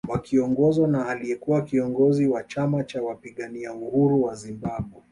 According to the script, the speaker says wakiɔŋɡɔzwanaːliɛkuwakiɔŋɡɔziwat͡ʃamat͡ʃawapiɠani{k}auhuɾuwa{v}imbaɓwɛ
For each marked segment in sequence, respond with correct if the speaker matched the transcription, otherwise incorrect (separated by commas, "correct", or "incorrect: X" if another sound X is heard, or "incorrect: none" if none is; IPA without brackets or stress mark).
incorrect: none, incorrect: z